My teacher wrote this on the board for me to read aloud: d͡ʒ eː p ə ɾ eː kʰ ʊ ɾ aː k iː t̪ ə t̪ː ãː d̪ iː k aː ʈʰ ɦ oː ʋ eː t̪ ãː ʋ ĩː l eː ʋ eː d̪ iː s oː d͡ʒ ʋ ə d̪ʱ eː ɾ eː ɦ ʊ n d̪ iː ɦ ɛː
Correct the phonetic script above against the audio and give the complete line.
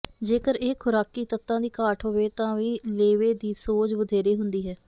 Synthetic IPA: d͡ʒ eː k ə ɾ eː kʰ ʊ ɾ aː k iː t̪ ə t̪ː ãː d̪ iː k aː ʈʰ ɦ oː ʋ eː t̪ ãː ʋ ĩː l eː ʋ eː d̪ iː s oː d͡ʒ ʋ ə d̪ʱ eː ɾ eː ɦ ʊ n d̪ iː ɦ ɛː